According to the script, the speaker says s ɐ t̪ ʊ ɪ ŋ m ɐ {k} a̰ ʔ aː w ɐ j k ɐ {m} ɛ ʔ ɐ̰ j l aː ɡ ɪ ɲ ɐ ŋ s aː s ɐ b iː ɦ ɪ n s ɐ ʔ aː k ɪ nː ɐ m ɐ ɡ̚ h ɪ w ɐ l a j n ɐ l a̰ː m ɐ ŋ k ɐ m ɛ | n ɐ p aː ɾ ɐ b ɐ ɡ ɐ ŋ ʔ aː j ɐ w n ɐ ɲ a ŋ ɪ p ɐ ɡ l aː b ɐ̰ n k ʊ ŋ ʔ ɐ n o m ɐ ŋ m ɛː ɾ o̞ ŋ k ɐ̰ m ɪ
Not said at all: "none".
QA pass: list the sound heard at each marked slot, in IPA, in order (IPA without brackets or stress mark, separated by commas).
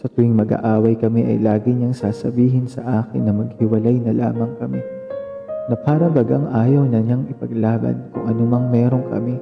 ɡ, m